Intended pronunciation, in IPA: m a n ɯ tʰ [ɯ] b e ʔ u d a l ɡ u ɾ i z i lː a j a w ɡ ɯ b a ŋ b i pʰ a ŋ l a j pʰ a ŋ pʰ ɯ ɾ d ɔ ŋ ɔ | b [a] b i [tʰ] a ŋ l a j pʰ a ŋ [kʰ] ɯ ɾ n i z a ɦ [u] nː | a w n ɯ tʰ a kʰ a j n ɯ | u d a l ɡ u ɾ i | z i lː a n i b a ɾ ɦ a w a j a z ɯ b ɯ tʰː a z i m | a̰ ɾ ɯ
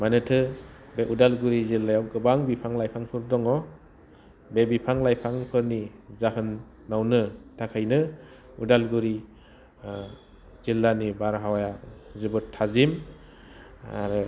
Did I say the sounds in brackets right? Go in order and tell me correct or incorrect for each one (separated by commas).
correct, incorrect, incorrect, incorrect, incorrect